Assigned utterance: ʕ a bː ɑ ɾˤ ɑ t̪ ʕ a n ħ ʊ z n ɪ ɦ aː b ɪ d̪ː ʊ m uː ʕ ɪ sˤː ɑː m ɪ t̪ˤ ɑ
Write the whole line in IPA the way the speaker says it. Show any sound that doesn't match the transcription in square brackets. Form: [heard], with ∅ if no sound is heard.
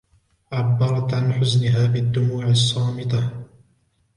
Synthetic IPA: ʕ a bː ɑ ɾˤ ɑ t̪ ʕ a n ħ ʊ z n ɪ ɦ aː b ɪ d̪ː ʊ m uː ʕ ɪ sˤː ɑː m ɪ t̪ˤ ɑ